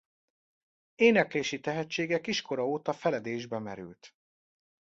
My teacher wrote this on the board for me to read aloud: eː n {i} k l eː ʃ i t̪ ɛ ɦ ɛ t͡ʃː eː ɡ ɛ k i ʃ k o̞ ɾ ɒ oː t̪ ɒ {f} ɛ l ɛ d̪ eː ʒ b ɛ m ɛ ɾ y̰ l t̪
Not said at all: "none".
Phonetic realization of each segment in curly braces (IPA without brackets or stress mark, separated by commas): ɛ, f